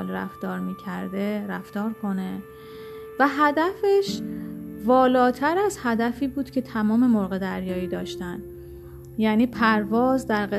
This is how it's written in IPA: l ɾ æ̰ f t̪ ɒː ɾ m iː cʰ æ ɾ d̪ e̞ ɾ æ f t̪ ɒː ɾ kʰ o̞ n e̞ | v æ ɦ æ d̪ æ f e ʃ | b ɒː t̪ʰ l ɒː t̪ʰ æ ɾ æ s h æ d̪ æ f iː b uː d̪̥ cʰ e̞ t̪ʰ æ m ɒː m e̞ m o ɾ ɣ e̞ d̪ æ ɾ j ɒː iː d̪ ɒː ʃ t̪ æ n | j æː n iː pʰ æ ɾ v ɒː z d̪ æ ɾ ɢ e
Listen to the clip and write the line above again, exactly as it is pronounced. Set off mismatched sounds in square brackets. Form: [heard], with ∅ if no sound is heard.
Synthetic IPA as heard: l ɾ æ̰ f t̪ ɒː ɾ m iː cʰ æ ɾ d̪ e̞ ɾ æ f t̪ ɒː ɾ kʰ o̞ n e̞ | v æ ɦ æ d̪ æ f e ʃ | [v] ɒː [∅] l ɒː t̪ʰ æ ɾ æ [z] h æ d̪ æ f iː b uː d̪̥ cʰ e̞ t̪ʰ æ m ɒː m e̞ m o ɾ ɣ e̞ d̪ æ ɾ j ɒː iː d̪ ɒː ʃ t̪ æ n | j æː n iː pʰ æ ɾ v ɒː z d̪ æ ɾ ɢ e